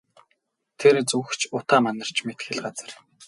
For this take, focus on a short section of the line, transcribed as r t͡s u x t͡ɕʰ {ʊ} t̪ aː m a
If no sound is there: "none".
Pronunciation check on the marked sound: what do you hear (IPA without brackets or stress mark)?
ʊ